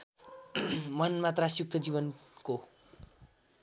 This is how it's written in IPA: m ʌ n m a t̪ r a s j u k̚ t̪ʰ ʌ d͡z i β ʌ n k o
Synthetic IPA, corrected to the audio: m ʌ n m a t̪ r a s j u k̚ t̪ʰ ʌ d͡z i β ʌ n k o